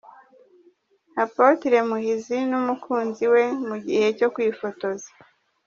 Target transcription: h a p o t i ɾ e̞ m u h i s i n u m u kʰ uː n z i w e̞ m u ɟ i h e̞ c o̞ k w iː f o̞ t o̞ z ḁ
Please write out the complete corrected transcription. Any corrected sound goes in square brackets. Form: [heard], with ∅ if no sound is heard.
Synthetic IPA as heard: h a p o t i ɾ e̞ m u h i [z] i n u m u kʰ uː n z i w e̞ m u ɟ i h e̞ c o̞ k w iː f o̞ t o̞ z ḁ

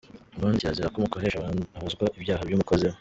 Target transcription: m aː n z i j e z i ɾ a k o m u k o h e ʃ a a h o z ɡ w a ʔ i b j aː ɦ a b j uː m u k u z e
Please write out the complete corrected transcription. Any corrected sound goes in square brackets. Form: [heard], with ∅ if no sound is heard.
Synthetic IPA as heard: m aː n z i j [a] z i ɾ a k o m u k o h e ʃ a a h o z ɡ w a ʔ i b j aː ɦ a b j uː m u k [o] z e

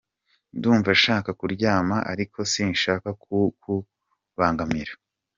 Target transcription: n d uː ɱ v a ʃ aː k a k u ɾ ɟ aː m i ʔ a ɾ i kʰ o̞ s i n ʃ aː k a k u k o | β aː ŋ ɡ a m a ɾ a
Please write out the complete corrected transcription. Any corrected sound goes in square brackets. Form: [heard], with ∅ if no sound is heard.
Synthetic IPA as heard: n d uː ɱ v a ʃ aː k a k u ɾ ɟ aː m [a] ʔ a ɾ i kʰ o̞ s i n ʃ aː k a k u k [u] | β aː ŋ ɡ a m [i] ɾ a

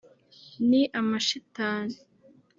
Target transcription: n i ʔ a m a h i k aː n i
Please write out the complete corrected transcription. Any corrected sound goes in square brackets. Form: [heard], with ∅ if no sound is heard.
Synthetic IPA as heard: n i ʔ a m a [ʃ] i [t] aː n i

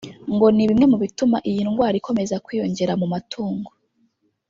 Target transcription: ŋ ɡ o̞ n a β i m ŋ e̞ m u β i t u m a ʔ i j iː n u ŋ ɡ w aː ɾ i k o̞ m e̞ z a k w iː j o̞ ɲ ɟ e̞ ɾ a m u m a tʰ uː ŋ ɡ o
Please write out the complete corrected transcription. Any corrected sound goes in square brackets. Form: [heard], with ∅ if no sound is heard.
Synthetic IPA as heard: ŋ ɡ o̞ n [i] β i m ŋ e̞ m u β i t u m a ʔ i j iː n u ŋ ɡ w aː ɾ i k o̞ m e̞ z a k w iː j o̞ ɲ ɟ e̞ ɾ a m u m a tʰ uː ŋ ɡ o

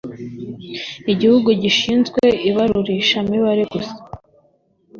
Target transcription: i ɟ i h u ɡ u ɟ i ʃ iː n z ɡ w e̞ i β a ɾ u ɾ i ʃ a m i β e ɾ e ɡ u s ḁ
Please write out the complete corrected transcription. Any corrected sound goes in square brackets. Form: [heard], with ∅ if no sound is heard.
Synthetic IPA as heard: i ɟ i h u ɡ u ɟ i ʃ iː n z ɡ w e̞ i β a ɾ u ɾ i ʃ a m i β [a] ɾ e ɡ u s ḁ

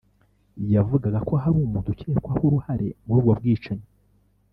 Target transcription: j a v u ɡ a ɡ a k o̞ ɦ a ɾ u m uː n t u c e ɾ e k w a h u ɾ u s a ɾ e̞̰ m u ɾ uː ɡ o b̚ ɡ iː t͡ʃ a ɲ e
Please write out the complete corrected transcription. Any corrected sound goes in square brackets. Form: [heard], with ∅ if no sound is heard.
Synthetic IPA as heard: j a v u ɡ a ɡ a k o̞ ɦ a ɾ u m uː n t u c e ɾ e k w a h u ɾ u [h] a ɾ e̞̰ m u ɾ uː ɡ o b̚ ɡ iː t͡ʃ a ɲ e

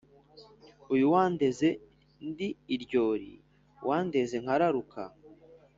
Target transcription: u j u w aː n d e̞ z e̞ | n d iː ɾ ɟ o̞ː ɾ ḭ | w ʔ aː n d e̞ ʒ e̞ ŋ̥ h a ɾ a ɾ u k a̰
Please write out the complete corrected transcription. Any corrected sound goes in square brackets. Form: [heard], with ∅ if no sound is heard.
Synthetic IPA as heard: u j u w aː n d e̞ z e̞ | n d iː ɾ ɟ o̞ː ɾ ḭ | w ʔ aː n d e̞ [z] e̞ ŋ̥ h a ɾ a ɾ u k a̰

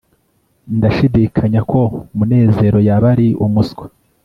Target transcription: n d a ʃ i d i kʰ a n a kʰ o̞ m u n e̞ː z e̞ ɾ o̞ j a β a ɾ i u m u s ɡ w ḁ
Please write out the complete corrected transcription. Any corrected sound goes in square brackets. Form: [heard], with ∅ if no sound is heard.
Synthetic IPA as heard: n d a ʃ i d i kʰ a [ɲ] a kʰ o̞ m u n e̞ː z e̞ ɾ o̞ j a β a ɾ i u m u s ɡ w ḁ

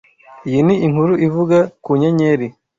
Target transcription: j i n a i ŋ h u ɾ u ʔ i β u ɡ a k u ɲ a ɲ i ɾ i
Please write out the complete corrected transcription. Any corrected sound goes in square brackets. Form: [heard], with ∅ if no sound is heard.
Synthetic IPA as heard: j i n [i] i ŋ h u ɾ u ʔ i [v] u ɡ a k u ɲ a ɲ [e] ɾ i

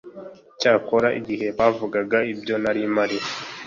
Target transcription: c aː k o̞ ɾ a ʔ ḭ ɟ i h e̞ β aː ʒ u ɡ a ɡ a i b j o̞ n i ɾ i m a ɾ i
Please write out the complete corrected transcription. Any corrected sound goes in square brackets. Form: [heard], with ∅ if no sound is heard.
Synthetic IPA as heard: c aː k o̞ ɾ a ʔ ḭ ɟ i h e̞ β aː [v] u ɡ a ɡ a i b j o̞ n [a] ɾ i m a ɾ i

